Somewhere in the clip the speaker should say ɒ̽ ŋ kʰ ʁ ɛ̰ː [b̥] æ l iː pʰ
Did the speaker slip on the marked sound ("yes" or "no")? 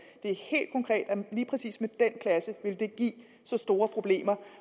yes